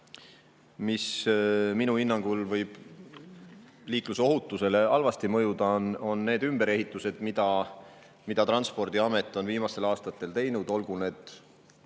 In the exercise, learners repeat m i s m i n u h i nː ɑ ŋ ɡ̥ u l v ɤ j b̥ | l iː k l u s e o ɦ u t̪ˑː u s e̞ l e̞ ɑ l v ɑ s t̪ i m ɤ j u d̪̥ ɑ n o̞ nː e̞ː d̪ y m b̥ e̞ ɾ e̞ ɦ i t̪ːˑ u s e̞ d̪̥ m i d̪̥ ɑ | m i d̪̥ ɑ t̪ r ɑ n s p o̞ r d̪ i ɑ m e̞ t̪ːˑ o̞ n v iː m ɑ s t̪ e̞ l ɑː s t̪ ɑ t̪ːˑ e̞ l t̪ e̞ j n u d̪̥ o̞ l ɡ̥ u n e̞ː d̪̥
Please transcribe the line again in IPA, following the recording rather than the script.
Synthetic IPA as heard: m i s m i n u h i nː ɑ ŋ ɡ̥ u l v ɤ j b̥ | l iː k l u s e o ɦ u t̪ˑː u s e̞ l e̞ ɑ l v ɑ s t̪ i m ɤ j u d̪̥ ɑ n o̞ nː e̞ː d̪ y m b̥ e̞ ɾ e̞ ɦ i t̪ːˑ u s e̞ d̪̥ m i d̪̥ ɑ | m i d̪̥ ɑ t̪ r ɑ n s p o̞ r d̪ i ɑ m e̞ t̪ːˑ o̞ n v iː m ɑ s t̪ e̞ l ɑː s t̪ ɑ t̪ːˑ e̞ l t̪ e̞ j n u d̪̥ o̞ l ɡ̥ u n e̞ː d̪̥